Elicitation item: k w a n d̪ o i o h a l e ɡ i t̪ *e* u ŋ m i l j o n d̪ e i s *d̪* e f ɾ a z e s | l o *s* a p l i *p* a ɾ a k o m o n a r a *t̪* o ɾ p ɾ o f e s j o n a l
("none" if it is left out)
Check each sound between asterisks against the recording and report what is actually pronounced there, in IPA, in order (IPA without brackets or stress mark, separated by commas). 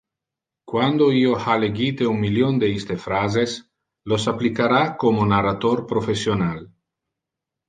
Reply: e, t̪, s, k, t̪